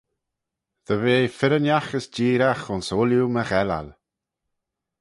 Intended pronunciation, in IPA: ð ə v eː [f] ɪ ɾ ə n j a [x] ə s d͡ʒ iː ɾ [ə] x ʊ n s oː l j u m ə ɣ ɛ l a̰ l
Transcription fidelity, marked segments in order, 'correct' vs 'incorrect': correct, correct, incorrect

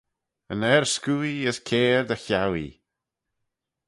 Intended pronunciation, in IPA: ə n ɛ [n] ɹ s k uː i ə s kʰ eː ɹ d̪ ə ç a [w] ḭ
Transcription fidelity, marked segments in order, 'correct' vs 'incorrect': incorrect, correct

